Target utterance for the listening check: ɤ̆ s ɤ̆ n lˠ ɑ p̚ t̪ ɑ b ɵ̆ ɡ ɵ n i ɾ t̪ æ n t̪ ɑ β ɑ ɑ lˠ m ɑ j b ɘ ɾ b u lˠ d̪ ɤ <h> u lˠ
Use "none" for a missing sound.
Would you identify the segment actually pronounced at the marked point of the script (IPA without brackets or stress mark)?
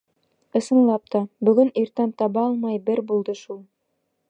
ʃ